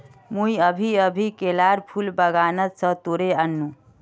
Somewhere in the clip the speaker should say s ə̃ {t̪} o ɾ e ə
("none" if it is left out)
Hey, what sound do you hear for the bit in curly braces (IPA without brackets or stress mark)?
t̪